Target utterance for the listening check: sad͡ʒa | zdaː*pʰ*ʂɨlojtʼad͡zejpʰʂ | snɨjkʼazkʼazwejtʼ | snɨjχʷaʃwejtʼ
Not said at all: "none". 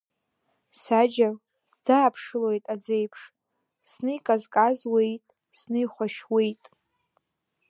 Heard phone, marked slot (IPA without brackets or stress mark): pʰ